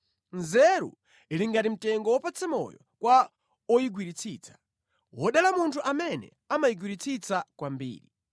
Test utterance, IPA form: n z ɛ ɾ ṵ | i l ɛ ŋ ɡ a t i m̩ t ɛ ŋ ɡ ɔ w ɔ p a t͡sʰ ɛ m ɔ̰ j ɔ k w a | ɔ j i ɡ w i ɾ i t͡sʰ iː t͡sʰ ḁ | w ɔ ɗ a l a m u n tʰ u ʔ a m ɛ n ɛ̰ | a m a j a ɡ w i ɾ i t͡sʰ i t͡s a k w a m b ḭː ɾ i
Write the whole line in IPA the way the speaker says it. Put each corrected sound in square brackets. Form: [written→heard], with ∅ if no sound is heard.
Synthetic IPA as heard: n z ɛ ɾ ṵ | i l [ɛ→i] ŋ ɡ a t i m̩ t ɛ ŋ ɡ ɔ w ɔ p a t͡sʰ ɛ m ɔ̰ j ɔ k w a | ɔ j i ɡ w i ɾ i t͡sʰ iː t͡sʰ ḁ | w ɔ ɗ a l a m u n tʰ u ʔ a m ɛ n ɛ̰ | a m a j [a→i] ɡ w i ɾ i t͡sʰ i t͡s a k w a m b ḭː ɾ i